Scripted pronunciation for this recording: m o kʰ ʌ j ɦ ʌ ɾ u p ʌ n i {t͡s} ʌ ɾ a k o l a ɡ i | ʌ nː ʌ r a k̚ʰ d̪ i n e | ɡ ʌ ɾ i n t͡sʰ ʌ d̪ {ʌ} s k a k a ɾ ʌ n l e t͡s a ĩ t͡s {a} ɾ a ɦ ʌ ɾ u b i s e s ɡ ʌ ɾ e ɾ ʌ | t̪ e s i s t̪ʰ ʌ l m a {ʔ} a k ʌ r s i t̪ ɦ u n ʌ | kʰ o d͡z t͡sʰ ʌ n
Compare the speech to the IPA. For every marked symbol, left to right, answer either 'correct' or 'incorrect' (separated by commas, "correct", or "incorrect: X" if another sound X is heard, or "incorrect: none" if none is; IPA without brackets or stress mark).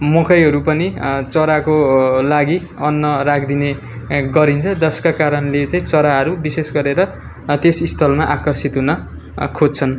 correct, correct, incorrect: ʌ, correct